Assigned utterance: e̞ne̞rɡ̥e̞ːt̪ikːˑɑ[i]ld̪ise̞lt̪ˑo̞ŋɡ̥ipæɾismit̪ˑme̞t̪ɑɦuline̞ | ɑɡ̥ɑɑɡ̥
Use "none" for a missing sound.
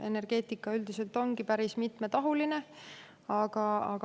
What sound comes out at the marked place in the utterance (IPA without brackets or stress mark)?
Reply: y